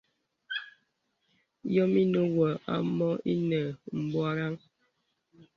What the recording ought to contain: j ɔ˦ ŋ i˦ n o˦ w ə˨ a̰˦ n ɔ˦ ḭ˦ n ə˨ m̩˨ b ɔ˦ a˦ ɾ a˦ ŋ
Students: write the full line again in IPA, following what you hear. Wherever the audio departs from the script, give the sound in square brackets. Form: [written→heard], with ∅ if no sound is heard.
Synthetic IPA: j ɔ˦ [ŋ→m] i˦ n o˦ w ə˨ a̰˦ [n→m] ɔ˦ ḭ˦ n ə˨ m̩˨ b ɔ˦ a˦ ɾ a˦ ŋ